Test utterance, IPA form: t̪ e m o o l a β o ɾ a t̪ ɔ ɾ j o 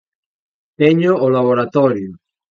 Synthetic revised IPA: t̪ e ɲ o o l a β o ɾ a t̪ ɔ ɾ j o

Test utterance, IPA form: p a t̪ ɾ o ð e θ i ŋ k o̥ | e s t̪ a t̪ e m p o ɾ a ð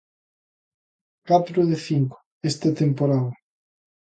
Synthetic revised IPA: k a t̪ ɾ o ð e θ i ŋ k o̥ | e s t̪ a t̪ e m p o ɾ a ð

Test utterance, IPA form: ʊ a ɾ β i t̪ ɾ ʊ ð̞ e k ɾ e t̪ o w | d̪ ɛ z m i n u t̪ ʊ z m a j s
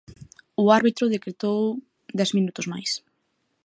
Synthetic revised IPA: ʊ a ɾ β i t̪ ɾ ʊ ð̞ e k ɾ e t̪ o w | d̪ ɛ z m i n u t̪ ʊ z m a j s

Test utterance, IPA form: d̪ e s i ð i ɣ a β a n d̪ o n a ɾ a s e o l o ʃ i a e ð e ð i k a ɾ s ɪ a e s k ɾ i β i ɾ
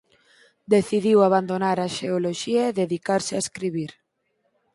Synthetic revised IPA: d̪ e θ i ð i w a β a n d̪ o n a ɾ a ʃ e o l o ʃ i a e ð e ð i k a ɾ s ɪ a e s k ɾ i β i ɾ

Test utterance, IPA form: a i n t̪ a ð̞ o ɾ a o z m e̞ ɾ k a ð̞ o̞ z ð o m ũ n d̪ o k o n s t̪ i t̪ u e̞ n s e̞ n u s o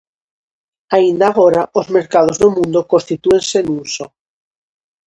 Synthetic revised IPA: a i n d̪ a ɣ̞ o ɾ a o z m e̞ ɾ k a ð̞ o̞ z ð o m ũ n d̪ o k o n s t̪ i t̪ u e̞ n s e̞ n u s o

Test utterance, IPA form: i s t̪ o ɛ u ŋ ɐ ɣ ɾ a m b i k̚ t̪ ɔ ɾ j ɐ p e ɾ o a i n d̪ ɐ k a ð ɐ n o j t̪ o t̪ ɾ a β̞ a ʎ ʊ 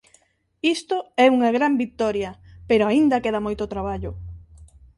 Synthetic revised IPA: i s t̪ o ɛ u ŋ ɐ ɣ ɾ a m b i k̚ t̪ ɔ ɾ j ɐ p e ɾ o a i n d̪ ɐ k e ð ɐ m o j t̪ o t̪ ɾ a β̞ a ʎ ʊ

